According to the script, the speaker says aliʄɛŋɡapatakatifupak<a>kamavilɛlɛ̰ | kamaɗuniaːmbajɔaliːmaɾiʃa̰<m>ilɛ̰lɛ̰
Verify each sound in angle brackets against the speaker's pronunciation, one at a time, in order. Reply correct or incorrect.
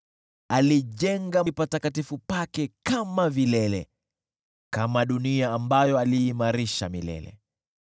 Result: incorrect: ɛ, correct

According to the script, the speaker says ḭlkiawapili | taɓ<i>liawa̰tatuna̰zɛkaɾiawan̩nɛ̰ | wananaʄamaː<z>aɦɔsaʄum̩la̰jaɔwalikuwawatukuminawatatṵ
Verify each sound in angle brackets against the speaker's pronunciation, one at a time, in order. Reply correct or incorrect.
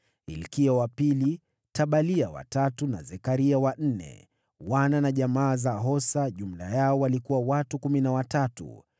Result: incorrect: a, correct

